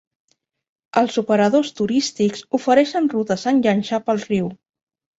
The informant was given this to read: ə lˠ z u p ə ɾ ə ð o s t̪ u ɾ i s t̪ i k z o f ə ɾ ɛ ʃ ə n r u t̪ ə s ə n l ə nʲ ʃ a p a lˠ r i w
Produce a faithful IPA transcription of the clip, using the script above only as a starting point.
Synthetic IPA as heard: ə lˠ z u p ə ɾ ə ð o s t̪ u ɾ i s t̪ i k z u f ə ɾ ɛ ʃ ə n r u t̪ ə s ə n ʎ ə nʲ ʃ a p ə lˠ r i w